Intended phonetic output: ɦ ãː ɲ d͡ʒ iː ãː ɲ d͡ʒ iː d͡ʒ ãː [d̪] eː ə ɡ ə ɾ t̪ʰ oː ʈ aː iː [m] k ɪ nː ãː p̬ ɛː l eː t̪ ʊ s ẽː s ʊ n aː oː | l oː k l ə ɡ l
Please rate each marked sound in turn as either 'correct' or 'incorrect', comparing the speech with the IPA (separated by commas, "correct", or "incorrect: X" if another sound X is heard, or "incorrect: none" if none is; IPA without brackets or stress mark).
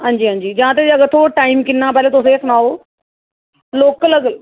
incorrect: t̪, correct